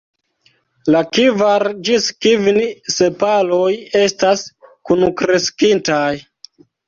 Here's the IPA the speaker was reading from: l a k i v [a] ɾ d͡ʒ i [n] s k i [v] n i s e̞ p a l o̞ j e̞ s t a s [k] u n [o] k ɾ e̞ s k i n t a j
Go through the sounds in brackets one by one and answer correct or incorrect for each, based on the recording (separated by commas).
correct, incorrect, correct, correct, incorrect